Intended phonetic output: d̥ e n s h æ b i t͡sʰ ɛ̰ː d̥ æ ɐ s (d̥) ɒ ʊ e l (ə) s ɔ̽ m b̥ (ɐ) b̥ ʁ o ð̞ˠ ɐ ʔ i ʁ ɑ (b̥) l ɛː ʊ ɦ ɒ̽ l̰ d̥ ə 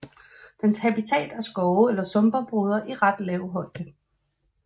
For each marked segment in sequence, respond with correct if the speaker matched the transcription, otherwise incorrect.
incorrect, incorrect, correct, incorrect

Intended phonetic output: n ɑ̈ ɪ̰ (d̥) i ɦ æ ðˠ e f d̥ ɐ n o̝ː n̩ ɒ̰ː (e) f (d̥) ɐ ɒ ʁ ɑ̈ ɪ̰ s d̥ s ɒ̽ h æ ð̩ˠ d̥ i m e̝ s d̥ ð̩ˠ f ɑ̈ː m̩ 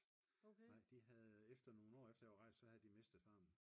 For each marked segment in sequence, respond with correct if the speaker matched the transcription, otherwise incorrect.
correct, correct, correct

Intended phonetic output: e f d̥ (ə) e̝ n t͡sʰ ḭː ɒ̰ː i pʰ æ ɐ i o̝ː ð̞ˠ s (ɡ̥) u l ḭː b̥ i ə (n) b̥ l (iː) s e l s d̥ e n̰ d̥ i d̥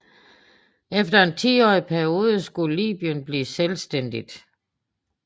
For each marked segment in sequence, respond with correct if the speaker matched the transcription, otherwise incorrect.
incorrect, correct, correct, correct

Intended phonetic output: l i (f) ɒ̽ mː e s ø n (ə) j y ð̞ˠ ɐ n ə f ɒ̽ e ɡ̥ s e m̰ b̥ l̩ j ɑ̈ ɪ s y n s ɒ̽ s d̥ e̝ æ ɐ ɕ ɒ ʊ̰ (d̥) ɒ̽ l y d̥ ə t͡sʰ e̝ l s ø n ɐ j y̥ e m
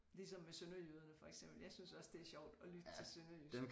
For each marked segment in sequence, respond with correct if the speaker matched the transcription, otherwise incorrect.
incorrect, incorrect, correct

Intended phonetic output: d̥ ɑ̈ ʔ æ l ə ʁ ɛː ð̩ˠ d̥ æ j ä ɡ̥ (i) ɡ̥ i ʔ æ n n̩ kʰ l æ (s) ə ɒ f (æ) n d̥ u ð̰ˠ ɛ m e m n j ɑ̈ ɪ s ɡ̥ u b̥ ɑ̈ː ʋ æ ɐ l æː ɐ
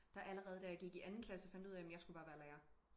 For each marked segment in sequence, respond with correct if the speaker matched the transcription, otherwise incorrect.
correct, correct, correct

